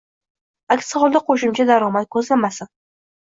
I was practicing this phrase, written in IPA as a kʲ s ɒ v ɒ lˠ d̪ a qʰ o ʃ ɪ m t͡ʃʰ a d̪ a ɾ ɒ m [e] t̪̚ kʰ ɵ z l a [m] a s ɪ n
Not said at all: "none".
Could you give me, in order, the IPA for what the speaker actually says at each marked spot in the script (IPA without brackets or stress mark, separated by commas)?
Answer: a, m